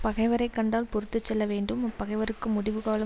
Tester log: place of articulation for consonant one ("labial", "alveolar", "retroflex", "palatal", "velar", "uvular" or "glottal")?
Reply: labial